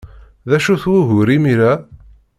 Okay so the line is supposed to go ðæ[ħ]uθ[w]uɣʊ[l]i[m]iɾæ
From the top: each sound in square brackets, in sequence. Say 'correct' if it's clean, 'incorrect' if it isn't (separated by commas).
incorrect, correct, incorrect, correct